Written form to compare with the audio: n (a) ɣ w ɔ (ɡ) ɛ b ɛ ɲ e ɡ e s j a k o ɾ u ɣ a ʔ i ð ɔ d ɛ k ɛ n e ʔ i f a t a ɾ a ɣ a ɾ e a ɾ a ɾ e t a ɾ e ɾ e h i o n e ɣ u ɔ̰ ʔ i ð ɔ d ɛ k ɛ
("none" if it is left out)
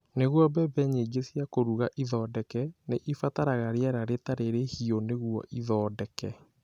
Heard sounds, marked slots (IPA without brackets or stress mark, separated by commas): e, b